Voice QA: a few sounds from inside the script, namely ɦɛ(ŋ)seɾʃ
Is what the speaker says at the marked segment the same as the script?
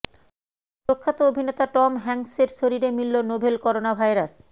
yes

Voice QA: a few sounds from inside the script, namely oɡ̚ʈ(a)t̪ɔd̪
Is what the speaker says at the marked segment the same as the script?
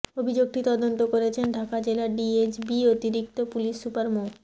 no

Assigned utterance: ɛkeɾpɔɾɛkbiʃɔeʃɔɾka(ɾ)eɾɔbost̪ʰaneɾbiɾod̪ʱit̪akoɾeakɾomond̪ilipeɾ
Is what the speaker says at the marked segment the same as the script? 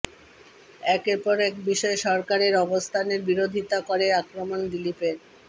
yes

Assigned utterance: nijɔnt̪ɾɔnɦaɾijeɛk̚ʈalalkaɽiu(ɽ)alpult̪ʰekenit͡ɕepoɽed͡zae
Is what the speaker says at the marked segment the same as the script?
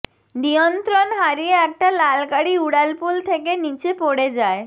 yes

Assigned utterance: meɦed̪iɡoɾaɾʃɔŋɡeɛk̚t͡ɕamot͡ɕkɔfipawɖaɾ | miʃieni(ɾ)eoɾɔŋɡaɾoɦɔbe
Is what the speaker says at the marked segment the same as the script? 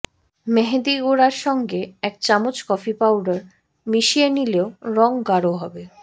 no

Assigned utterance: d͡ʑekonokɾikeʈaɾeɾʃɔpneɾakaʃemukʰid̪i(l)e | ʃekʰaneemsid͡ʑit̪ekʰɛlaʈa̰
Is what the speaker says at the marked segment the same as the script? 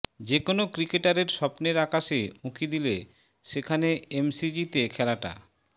yes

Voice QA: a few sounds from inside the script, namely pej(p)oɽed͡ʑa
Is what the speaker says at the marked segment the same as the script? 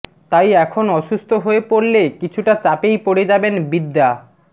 yes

